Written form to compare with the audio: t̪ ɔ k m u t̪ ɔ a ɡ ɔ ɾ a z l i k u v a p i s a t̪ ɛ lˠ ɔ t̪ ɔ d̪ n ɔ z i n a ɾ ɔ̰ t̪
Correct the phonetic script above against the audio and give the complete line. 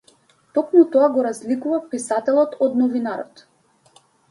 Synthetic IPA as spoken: t̪ ɔ k m u t̪ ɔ a ɡ ɔ ɾ a z l i k u v a p i s a t̪ ɛ lˠ ɔ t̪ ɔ d̪ n ɔ v i n a ɾ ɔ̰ t̪